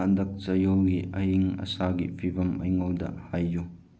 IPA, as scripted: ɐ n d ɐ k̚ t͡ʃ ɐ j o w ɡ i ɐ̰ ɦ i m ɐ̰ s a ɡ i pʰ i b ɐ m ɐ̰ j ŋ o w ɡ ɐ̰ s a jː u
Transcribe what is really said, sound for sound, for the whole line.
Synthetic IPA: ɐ n d ɐ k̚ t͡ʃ ɐ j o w ɡ i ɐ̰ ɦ i ŋ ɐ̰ s a ɡ i pʰ i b ɐ m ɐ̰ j ŋ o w d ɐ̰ h a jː u

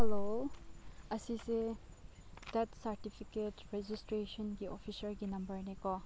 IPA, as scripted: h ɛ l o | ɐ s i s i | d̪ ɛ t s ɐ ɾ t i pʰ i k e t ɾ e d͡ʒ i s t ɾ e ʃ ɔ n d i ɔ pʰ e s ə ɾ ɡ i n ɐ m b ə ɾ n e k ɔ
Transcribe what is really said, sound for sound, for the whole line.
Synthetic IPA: h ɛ l o | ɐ s i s e | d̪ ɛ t s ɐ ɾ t i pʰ i k e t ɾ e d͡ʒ i s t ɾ e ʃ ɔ n ɡ i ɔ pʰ i s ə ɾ ɡ i n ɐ m b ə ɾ n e k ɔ

